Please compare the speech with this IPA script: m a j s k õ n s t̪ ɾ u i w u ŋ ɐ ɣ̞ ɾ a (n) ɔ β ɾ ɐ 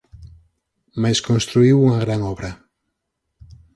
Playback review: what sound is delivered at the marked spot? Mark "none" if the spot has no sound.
ŋ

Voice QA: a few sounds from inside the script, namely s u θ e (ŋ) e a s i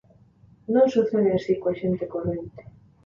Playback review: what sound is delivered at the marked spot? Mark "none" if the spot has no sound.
n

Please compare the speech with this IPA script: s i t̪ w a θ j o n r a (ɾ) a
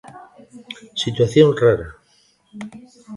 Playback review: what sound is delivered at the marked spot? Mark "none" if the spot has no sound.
ɾ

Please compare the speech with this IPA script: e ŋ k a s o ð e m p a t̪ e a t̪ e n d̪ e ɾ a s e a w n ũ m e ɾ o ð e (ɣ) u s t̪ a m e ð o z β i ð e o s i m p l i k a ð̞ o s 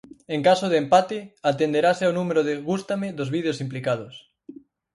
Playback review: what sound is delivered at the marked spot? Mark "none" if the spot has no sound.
ɣ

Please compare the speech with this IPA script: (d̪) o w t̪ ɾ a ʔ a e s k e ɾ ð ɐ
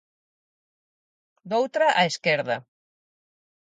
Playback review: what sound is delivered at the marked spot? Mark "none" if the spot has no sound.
d̪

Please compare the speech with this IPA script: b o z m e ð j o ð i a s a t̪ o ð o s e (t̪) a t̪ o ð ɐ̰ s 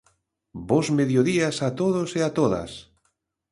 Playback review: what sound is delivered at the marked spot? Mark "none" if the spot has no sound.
none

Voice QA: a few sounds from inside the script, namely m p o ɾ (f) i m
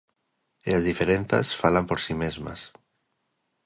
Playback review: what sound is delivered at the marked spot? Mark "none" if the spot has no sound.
s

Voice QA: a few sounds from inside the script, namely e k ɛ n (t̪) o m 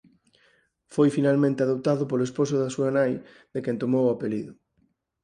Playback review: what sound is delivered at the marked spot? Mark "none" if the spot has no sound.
t̪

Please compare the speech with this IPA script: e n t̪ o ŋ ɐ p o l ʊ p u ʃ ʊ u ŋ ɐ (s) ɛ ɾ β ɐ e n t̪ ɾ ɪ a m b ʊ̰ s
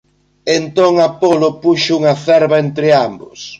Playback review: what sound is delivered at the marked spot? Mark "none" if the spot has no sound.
θ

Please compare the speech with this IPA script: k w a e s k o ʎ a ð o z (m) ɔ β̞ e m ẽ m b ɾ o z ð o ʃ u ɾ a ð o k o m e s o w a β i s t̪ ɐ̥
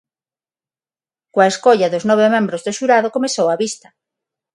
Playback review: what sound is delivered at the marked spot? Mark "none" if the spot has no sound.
n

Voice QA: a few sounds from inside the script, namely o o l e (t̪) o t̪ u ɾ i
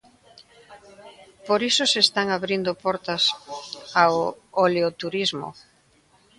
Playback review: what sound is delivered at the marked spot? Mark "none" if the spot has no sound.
none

